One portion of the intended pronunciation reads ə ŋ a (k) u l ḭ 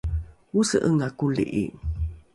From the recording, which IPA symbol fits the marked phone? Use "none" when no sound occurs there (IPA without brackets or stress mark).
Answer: k